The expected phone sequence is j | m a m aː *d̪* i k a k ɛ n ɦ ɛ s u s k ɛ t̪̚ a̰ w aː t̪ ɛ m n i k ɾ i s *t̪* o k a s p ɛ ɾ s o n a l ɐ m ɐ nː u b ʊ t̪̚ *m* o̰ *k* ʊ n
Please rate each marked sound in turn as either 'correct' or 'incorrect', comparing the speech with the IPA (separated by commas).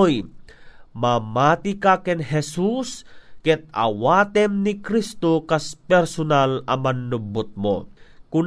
incorrect, correct, correct, correct